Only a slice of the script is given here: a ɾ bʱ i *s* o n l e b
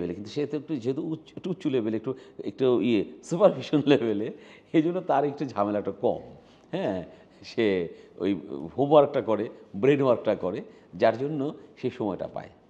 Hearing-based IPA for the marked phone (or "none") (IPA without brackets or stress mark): ʃ